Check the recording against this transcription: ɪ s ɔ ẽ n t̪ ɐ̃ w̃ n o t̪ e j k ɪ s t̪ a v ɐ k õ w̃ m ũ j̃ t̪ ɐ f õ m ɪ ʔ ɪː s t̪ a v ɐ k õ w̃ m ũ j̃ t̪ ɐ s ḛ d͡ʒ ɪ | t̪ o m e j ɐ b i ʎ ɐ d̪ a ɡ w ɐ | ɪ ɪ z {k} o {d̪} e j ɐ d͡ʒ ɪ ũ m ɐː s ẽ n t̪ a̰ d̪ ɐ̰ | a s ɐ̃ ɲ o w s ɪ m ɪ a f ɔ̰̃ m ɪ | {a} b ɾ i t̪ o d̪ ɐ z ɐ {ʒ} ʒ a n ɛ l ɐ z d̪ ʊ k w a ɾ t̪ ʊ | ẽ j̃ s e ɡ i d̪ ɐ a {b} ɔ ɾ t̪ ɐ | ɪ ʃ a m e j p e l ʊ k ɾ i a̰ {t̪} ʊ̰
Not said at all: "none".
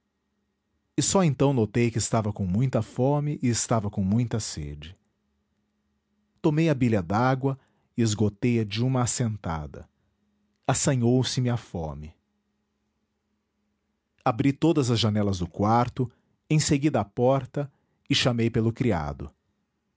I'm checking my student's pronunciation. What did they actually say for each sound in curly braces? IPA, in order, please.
ɡ, t̪, a, z, p, d̪

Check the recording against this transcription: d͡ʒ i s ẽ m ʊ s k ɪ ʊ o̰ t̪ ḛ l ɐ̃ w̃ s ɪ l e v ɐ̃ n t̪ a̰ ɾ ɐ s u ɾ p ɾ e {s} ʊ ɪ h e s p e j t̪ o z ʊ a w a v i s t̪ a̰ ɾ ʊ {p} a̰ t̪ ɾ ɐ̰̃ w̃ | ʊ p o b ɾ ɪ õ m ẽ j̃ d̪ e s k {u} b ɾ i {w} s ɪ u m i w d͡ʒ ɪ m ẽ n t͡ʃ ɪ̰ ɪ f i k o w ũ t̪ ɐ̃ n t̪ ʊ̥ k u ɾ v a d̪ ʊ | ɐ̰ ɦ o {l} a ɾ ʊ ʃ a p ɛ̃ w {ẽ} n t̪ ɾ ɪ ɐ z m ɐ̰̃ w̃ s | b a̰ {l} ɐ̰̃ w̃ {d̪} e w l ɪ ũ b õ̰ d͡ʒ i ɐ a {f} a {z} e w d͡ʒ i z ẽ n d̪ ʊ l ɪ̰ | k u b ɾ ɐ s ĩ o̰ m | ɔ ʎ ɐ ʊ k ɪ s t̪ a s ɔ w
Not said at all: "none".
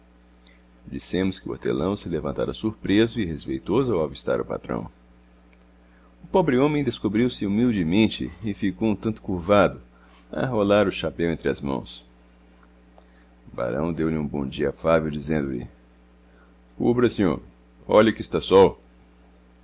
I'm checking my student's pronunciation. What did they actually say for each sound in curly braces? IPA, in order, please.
z, p, o, w, l, ẽ, ɾ, d̪, f, v

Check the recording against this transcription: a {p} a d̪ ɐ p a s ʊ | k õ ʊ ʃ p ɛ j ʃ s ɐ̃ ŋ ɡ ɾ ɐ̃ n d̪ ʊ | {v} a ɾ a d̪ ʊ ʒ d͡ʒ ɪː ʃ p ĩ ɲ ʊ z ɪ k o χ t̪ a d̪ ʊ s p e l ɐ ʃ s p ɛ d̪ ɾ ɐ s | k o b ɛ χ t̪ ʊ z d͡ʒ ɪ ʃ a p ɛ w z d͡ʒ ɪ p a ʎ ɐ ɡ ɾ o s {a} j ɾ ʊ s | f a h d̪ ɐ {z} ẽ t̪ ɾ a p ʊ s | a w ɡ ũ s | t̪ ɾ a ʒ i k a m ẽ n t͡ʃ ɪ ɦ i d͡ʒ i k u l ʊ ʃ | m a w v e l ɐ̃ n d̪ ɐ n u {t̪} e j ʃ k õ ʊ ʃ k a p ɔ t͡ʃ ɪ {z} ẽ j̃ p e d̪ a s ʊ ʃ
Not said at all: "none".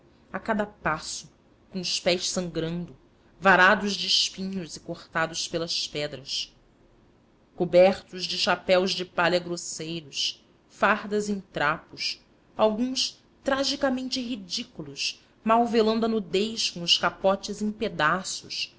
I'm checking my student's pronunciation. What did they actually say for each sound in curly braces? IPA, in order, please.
k, v, e, z, d̪, z

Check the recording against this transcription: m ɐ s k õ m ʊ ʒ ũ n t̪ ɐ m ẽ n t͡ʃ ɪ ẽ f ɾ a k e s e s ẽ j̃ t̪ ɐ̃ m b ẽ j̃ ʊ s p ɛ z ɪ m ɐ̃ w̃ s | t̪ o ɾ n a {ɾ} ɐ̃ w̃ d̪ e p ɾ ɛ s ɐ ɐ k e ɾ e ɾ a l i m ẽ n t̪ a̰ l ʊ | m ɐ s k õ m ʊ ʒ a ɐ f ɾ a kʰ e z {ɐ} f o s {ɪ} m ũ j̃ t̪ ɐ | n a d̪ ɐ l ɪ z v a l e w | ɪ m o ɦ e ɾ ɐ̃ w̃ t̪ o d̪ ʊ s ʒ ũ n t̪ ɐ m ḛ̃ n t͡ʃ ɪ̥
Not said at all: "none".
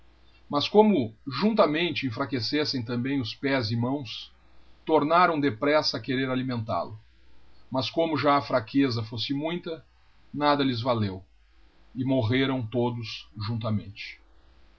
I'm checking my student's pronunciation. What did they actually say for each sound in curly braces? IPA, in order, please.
ɾ, ɐ, ɪ

